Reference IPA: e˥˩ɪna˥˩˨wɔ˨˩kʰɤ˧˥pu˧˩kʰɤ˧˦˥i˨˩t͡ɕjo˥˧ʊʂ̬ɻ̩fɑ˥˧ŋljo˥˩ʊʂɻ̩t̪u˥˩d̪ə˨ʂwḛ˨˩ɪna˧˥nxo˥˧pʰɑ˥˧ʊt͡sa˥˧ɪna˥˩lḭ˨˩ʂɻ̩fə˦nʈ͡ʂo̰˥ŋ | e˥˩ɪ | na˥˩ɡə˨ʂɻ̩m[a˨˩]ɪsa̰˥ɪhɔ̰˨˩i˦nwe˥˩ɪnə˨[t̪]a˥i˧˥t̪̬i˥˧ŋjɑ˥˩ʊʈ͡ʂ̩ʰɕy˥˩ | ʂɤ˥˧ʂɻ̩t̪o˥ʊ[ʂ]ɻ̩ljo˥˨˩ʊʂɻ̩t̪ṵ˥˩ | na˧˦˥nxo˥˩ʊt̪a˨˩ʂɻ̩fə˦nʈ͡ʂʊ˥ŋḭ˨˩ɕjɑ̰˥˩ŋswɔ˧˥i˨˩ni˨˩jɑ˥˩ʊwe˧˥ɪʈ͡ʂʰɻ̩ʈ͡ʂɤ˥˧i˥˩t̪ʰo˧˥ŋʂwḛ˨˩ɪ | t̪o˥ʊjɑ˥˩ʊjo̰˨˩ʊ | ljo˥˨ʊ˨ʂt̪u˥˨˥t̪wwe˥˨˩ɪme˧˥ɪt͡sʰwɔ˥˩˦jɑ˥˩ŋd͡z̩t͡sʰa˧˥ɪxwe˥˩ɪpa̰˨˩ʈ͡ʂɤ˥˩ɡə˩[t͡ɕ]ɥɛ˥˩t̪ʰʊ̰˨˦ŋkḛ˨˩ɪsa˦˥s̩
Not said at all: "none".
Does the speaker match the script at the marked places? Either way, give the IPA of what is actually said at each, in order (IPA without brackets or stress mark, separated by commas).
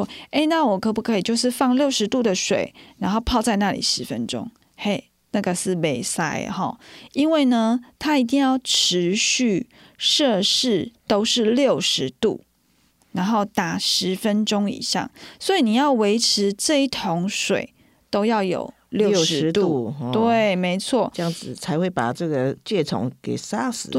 e˨˩, t̪ʰ, ʂ, t͡ɕ